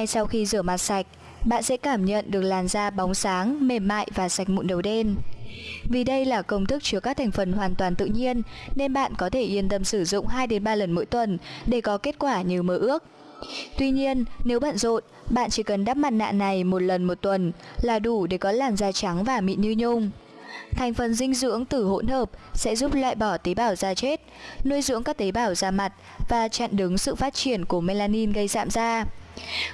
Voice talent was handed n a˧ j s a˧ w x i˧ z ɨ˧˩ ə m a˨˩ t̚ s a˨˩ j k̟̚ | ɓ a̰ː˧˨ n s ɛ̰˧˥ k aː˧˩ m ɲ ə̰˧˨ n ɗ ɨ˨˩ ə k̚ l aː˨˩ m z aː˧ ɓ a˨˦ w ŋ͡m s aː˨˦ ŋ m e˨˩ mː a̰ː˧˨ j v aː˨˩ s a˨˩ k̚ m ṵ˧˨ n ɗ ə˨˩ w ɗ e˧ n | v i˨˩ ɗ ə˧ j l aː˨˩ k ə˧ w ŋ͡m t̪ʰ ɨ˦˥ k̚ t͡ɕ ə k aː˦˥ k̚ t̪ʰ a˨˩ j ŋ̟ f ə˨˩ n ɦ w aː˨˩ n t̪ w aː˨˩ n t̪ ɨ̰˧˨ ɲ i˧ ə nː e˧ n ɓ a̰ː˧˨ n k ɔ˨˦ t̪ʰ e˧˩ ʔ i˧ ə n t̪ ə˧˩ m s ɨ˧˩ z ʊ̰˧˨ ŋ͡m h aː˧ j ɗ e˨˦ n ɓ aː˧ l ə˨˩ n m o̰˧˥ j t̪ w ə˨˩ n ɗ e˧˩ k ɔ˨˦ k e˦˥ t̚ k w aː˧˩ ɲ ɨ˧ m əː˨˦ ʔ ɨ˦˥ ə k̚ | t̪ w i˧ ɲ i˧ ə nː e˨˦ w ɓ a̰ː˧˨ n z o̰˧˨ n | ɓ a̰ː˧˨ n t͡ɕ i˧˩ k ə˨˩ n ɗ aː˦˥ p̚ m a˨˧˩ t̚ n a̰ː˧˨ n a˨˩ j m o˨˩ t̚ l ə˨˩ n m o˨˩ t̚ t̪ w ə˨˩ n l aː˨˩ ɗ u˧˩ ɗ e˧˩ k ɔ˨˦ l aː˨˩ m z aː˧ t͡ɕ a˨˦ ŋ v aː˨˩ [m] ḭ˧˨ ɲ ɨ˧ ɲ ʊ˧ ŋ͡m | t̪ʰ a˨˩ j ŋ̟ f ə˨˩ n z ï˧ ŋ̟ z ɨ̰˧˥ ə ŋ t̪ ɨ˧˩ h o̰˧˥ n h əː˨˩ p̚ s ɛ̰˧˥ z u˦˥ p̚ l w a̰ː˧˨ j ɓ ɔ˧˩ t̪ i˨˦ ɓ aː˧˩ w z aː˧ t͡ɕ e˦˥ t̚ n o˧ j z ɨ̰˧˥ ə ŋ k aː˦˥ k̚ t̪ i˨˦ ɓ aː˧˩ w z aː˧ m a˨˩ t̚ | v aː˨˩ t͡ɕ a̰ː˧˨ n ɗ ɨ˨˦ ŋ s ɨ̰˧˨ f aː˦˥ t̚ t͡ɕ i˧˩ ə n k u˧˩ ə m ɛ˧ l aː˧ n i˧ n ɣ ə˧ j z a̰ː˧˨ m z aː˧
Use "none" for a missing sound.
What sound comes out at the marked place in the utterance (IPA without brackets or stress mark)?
m